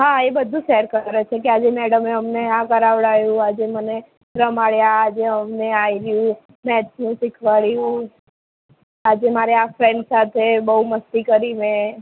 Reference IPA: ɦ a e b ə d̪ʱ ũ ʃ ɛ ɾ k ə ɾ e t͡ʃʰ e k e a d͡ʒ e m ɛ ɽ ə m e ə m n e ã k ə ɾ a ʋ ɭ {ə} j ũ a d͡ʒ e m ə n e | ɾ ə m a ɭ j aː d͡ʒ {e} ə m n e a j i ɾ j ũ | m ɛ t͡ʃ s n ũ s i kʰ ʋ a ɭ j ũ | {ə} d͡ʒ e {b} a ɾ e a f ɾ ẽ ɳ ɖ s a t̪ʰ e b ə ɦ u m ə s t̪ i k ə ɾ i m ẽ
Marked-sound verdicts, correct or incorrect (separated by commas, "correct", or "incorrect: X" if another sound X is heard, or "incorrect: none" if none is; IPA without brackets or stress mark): incorrect: a, correct, incorrect: a, incorrect: m